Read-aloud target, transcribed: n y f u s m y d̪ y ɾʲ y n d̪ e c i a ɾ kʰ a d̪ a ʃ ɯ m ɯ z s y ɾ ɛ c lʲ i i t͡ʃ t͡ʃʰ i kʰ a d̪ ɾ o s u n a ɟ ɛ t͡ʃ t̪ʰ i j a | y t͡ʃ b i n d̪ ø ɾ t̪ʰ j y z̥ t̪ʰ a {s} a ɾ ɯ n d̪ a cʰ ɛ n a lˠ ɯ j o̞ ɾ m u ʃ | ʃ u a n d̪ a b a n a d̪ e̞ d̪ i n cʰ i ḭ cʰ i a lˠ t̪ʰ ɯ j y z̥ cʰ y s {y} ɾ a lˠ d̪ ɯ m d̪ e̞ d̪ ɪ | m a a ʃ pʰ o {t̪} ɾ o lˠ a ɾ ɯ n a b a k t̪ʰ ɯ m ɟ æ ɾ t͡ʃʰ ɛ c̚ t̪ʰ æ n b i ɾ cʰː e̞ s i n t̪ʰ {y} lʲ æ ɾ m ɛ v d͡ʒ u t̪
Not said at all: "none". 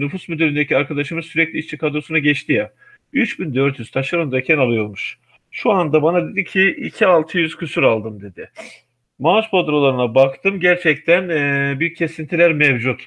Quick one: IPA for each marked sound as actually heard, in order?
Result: ʃ, y, d̪, i

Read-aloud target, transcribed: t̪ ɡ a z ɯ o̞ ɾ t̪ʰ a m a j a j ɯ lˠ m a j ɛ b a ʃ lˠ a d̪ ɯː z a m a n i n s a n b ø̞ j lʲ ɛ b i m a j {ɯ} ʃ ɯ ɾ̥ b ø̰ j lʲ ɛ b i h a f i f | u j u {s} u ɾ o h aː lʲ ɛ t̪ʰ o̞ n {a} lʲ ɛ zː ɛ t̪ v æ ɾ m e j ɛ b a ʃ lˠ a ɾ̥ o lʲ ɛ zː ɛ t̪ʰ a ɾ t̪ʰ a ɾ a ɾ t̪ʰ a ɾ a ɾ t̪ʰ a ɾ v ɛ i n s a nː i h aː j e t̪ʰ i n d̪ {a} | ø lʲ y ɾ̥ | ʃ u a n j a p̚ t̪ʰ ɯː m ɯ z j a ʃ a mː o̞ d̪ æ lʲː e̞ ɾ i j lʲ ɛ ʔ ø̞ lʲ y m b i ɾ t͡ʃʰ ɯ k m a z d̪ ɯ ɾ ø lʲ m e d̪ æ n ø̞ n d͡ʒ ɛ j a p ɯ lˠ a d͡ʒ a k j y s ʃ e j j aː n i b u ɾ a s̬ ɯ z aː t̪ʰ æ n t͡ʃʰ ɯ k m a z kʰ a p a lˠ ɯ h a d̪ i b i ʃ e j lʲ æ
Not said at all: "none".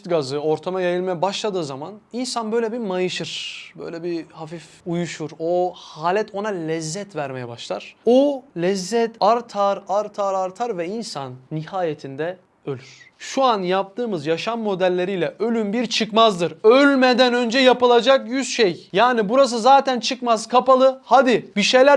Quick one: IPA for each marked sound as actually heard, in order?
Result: ɯ, ʃ, a, ɛ

